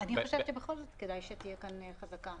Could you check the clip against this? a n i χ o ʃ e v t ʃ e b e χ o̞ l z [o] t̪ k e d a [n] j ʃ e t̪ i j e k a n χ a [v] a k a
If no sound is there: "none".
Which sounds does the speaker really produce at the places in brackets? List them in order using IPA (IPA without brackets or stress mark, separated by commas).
o, none, z